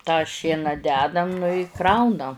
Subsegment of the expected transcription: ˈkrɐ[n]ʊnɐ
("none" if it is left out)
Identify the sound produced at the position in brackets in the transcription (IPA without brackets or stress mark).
none